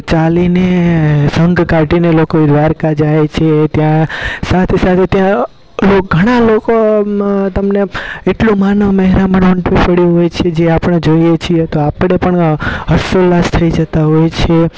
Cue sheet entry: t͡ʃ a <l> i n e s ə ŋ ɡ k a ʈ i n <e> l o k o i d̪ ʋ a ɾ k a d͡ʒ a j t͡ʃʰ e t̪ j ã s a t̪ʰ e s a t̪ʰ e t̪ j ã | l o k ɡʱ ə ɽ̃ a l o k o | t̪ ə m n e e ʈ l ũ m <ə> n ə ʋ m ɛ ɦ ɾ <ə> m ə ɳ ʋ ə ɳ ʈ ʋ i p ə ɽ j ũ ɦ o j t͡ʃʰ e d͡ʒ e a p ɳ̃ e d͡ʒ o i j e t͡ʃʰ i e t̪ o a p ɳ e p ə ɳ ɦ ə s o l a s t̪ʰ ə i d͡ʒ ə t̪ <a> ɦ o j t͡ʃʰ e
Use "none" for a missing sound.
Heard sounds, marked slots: l, e, a, a, a

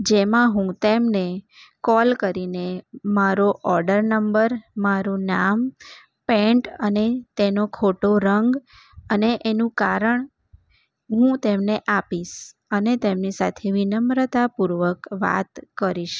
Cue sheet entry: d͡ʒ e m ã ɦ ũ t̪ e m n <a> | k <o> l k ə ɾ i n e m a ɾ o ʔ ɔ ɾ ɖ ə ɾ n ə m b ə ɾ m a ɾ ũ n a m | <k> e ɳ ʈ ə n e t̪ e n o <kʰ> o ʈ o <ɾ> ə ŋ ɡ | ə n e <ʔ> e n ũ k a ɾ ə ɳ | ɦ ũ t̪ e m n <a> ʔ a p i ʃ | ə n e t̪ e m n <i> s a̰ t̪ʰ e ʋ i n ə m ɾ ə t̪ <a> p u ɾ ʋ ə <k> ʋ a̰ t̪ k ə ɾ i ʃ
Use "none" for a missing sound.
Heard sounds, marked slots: e, ɔ, p, kʰ, ɾ, ʔ, e, i, a, k

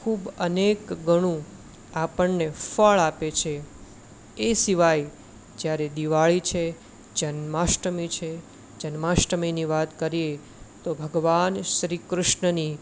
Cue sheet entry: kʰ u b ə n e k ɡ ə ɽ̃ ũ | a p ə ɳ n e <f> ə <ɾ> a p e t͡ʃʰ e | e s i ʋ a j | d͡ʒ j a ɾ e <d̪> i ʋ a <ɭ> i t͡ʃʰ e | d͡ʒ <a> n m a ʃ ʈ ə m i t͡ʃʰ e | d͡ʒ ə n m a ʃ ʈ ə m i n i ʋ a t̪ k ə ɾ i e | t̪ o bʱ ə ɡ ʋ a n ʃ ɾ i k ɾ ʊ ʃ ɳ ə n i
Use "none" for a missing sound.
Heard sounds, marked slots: f, ɭ, d̪, ɭ, ə

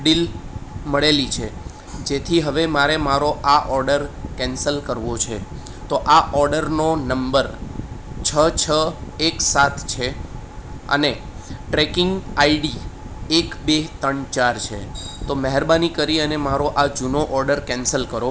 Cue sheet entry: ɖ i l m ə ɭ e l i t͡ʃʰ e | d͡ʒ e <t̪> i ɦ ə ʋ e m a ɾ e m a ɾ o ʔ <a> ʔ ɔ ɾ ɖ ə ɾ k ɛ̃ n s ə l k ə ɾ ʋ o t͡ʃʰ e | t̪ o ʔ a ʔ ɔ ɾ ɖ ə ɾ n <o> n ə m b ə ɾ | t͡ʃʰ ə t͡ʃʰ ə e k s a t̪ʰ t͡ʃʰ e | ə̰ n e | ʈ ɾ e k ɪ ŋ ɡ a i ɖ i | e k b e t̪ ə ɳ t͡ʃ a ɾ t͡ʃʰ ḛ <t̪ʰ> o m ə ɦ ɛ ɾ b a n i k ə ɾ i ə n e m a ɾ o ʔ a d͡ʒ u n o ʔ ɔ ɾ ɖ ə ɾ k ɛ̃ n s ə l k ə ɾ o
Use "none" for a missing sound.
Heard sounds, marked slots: t̪ʰ, a, o, t̪

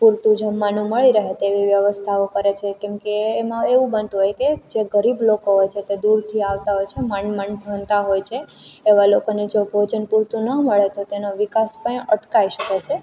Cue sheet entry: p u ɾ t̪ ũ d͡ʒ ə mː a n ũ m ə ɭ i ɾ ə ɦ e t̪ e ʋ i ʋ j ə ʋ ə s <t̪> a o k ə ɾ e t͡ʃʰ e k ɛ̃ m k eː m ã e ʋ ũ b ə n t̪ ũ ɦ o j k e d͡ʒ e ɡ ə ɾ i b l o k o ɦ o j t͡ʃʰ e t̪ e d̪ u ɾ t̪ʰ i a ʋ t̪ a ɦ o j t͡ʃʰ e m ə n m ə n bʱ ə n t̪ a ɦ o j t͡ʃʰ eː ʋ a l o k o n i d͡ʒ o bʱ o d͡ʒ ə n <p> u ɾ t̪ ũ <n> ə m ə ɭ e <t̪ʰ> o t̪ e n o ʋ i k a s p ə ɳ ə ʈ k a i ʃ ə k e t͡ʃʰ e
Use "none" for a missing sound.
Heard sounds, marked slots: t̪ʰ, p, n, t̪

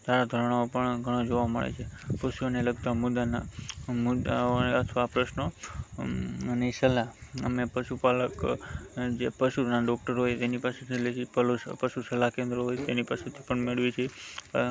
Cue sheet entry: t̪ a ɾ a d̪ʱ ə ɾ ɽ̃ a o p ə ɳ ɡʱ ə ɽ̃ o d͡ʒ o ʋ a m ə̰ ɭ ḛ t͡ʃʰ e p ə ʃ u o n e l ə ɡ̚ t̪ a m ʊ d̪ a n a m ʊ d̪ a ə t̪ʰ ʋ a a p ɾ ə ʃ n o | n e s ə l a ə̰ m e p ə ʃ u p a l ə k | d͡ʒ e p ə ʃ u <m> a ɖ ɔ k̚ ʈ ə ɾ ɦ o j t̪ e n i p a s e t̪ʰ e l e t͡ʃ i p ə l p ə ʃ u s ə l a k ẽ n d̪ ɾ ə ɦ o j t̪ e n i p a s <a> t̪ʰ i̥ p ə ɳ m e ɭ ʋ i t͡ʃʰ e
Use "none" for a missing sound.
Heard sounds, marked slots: n, e

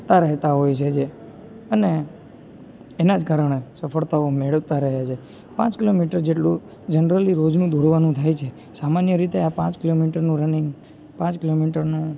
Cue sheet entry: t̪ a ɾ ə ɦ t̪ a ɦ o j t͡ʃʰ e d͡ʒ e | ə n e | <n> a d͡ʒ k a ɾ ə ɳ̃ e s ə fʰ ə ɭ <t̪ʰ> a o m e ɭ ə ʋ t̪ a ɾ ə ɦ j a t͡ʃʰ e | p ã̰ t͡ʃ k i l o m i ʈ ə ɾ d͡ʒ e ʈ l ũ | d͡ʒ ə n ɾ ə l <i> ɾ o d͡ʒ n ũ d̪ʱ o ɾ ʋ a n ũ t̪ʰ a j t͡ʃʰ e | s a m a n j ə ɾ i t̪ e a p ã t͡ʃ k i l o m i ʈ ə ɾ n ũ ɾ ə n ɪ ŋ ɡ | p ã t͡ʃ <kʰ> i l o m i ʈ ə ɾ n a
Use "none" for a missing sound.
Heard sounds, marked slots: n, t̪, i, k

